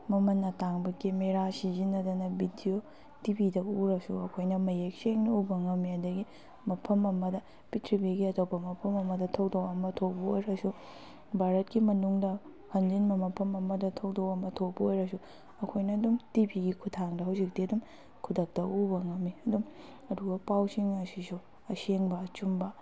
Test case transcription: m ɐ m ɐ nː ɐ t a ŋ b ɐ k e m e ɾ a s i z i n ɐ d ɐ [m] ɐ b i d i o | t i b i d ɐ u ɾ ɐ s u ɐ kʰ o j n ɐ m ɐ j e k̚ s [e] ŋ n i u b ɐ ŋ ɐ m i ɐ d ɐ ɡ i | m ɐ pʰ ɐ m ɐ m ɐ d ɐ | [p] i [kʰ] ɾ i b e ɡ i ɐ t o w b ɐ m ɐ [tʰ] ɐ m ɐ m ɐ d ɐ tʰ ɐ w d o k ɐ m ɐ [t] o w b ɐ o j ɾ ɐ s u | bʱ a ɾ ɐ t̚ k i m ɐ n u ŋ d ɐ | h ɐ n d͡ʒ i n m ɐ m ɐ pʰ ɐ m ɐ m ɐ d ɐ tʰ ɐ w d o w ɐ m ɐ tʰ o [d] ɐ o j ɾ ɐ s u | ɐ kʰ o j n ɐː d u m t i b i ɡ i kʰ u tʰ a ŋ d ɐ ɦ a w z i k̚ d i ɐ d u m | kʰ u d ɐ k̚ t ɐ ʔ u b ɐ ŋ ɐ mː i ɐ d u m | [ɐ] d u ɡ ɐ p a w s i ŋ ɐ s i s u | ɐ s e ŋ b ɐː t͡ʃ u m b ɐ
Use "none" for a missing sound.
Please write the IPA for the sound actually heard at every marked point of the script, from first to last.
n, e, p, tʰ, pʰ, tʰ, b, ɐ

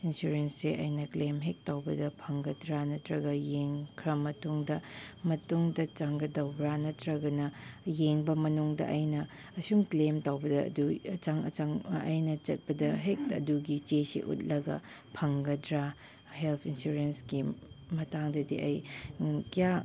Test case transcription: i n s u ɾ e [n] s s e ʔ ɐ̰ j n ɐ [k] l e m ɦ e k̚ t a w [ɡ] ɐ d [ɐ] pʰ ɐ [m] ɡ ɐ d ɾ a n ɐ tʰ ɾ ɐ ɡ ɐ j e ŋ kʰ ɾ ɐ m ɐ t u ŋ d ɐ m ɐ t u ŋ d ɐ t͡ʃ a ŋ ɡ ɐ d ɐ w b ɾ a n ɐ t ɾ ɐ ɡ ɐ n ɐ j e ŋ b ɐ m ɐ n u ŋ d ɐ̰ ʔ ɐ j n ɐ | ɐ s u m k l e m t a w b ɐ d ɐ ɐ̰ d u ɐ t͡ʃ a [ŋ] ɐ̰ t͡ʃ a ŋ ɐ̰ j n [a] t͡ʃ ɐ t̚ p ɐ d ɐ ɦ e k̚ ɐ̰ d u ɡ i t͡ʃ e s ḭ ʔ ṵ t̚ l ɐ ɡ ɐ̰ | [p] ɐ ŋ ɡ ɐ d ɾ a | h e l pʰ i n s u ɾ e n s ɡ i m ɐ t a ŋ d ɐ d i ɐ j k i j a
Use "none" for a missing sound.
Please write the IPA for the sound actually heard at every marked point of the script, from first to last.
n, k, b, ɐ, ŋ, ŋ, ɐ, pʰ

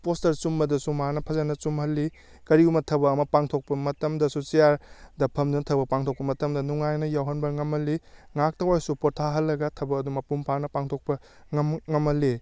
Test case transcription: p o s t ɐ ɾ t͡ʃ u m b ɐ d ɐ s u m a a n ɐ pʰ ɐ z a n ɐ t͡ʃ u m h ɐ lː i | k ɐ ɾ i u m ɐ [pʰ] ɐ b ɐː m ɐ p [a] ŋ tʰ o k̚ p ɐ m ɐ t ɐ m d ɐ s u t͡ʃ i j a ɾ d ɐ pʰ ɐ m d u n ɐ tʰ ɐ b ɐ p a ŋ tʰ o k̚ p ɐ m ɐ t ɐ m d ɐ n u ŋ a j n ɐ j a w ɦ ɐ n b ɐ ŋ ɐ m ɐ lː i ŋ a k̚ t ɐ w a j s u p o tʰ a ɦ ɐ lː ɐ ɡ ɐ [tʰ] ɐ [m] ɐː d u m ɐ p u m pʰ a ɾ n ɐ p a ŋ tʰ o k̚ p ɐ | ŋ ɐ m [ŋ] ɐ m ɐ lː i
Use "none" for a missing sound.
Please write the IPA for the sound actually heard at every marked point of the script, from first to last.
tʰ, a, tʰ, b, ŋ

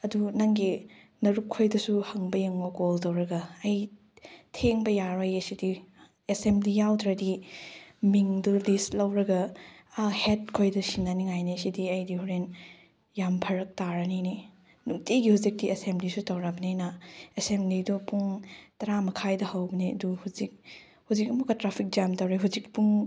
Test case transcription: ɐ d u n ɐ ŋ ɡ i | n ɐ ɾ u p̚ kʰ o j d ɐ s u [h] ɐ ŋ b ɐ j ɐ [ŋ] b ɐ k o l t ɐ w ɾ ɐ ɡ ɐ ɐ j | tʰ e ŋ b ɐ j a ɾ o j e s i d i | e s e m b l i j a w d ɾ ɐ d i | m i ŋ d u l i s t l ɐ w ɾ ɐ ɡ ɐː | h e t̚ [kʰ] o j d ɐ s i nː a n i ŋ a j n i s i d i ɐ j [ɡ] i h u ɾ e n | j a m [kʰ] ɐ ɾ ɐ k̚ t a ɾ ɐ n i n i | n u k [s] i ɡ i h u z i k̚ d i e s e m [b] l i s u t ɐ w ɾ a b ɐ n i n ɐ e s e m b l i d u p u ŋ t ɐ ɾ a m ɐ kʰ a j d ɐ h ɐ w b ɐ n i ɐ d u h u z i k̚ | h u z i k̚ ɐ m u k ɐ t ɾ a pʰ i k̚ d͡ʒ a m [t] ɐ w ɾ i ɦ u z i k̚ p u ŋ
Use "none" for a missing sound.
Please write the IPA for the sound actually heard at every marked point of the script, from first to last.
h, ŋ, kʰ, d, pʰ, t, b, t

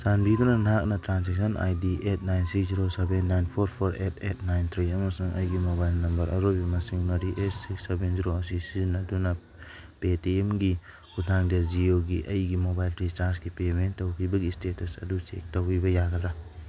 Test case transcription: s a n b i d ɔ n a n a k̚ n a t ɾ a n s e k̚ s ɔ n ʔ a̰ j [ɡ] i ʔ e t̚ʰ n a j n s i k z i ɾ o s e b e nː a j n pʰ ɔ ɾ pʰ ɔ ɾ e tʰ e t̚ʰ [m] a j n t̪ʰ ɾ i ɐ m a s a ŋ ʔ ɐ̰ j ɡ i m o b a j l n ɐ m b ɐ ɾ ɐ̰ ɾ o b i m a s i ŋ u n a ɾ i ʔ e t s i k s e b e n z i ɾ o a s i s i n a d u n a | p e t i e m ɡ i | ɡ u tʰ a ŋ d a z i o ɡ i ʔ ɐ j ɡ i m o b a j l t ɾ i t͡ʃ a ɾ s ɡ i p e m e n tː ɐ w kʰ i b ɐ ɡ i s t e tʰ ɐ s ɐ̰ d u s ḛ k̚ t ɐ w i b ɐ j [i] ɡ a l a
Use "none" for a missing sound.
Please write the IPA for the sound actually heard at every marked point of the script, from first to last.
d, n, a

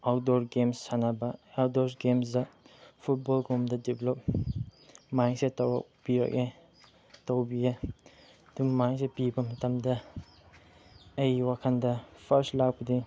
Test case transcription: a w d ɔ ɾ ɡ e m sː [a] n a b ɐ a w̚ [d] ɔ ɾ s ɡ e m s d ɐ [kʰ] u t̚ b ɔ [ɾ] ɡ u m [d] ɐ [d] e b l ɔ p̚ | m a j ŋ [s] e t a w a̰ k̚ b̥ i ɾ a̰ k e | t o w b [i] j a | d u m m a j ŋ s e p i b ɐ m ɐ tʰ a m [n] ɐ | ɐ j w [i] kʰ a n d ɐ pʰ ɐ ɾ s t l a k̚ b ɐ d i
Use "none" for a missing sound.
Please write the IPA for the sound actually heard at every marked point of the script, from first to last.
a, d, pʰ, l, d, d, s, i, d, a

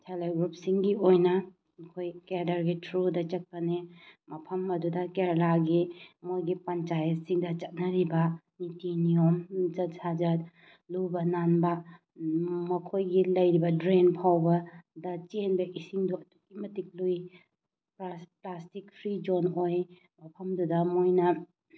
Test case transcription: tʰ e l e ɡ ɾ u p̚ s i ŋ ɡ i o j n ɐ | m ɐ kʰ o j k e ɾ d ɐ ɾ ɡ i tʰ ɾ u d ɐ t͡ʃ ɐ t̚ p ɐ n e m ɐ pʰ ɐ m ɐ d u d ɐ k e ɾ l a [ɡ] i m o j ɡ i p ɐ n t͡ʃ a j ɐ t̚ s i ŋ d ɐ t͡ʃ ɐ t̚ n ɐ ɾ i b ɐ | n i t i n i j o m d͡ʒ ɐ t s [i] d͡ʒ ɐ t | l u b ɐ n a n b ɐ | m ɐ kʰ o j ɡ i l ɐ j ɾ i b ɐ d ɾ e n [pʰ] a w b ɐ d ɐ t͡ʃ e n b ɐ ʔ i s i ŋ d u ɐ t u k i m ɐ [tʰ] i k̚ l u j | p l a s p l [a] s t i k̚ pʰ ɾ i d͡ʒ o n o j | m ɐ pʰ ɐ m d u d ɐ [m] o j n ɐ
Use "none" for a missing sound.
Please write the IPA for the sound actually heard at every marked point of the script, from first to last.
ɡ, a, pʰ, t, a, m

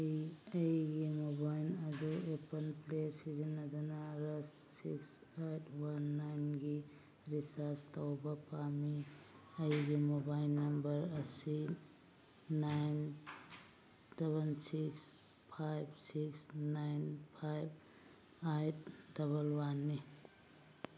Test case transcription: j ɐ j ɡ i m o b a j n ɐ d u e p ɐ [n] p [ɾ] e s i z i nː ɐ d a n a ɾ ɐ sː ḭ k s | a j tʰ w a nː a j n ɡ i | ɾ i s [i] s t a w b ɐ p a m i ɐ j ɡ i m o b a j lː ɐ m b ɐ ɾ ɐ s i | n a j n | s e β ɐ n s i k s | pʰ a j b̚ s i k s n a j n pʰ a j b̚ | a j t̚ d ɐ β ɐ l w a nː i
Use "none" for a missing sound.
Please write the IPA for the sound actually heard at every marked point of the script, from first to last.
n, l, a

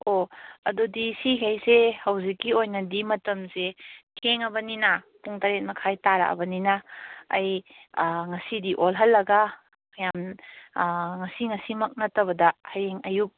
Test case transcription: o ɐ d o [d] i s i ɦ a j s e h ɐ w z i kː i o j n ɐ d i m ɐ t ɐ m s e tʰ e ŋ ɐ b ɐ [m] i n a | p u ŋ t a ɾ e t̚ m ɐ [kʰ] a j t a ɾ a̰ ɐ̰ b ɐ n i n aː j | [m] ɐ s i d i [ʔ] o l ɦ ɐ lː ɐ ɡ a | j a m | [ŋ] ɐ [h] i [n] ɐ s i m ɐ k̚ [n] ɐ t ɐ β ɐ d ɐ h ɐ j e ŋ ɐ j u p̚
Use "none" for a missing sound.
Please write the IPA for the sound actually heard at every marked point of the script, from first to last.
d, n, kʰ, ŋ, ʔ, ŋ, s, ŋ, n

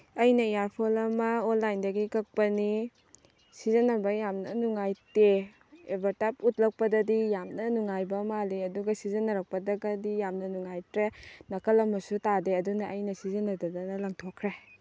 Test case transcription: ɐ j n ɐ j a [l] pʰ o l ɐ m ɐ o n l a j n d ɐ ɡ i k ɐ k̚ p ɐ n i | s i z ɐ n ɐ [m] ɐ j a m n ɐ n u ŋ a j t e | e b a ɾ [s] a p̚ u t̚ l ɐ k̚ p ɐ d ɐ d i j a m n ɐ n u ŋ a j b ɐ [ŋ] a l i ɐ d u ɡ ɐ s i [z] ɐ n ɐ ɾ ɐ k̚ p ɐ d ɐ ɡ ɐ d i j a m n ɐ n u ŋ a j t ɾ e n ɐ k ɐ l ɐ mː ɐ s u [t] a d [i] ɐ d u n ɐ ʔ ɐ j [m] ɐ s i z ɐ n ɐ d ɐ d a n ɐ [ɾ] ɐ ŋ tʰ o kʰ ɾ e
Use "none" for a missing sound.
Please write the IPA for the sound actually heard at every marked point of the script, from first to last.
ɾ, b, t, m, z, t, e, n, l

